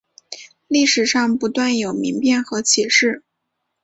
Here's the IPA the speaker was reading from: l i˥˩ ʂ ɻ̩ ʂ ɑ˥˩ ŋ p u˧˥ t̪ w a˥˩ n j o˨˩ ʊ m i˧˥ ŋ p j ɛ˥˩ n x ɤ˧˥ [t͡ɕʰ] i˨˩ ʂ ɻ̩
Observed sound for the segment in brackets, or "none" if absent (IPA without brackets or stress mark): t͡ɕʰ